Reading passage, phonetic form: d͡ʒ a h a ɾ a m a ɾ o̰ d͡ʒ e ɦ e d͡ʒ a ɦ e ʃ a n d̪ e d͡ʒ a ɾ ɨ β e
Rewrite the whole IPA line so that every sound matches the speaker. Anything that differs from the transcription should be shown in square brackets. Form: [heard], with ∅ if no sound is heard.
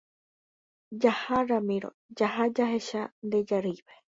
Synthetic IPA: d͡ʒ a h a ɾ a m [i] ɾ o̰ d͡ʒ [a] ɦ [a] d͡ʒ a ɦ e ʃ a n d̪ e d͡ʒ a ɾ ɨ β e